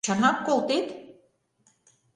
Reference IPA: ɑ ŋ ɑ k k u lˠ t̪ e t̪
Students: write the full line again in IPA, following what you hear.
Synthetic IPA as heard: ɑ n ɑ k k o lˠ t̪ e t̪